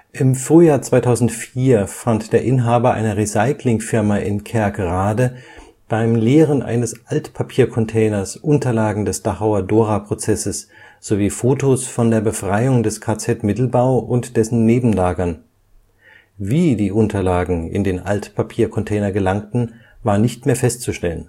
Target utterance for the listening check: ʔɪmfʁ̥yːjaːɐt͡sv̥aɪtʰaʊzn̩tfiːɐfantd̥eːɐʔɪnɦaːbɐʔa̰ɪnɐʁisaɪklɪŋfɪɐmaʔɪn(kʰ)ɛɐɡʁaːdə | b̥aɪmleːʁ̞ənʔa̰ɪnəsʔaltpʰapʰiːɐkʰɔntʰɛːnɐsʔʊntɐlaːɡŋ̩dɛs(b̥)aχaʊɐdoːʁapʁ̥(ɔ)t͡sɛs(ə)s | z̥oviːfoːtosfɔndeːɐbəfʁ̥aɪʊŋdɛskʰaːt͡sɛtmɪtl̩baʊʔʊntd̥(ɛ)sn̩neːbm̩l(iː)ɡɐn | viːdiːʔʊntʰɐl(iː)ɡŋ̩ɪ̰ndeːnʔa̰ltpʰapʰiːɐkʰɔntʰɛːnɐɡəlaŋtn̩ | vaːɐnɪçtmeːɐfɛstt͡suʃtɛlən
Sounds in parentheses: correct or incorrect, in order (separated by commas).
correct, incorrect, incorrect, correct, correct, incorrect, incorrect